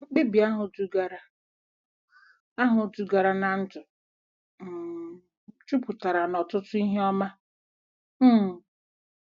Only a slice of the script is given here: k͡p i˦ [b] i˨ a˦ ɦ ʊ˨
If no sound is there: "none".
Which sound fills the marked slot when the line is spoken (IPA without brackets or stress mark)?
b